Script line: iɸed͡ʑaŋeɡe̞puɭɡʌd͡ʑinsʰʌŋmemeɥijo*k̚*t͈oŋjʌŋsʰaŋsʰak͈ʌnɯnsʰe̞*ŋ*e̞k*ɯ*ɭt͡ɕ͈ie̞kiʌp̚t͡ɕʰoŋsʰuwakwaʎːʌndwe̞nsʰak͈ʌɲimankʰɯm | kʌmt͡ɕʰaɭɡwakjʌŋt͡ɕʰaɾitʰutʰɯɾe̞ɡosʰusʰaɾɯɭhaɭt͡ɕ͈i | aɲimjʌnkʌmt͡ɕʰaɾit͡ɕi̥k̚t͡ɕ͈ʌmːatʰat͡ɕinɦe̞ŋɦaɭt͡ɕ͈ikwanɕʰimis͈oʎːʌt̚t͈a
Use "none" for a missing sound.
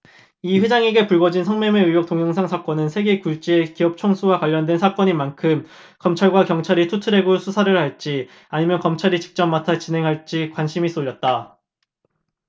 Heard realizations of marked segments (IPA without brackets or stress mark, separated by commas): k̚, ɡ, u